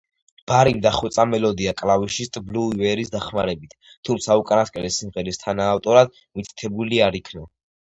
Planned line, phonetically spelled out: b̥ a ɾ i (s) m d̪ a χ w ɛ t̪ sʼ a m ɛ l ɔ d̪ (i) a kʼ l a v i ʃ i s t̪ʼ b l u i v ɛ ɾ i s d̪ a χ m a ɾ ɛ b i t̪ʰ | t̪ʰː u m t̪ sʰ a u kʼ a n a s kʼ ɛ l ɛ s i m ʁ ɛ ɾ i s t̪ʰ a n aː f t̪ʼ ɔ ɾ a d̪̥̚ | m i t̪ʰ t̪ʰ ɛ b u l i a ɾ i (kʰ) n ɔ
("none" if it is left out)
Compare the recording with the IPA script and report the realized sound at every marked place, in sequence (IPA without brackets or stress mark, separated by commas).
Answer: none, i, kʰ